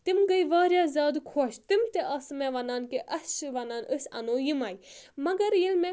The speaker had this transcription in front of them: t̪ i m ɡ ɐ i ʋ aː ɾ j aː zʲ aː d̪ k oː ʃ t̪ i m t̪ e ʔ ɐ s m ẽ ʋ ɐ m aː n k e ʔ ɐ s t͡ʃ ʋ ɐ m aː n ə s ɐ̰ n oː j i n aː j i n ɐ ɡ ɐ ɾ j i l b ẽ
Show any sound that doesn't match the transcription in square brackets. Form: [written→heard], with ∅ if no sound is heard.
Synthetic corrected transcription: t̪ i m ɡ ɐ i ʋ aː ɾ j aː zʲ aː d̪ [k→kʰ] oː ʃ t̪ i m t̪ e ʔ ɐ s m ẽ ʋ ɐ [m→n] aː n k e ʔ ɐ s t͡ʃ ʋ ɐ [m→n] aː n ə s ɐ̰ n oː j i [n→m] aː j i [n→m] ɐ ɡ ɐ ɾ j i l [b→m] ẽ